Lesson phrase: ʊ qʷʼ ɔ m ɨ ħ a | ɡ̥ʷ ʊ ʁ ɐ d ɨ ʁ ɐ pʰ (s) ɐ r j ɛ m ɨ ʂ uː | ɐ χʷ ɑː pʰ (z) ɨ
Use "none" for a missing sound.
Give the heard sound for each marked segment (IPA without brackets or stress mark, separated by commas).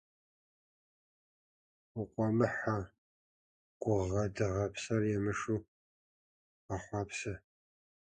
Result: s, s